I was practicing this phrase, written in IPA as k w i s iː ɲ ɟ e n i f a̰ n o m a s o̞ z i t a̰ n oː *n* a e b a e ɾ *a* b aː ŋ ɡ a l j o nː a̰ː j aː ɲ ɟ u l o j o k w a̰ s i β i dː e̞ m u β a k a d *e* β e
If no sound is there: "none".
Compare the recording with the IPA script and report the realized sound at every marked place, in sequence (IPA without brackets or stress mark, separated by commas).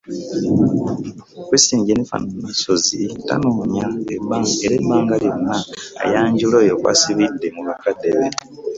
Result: ɲ, e, e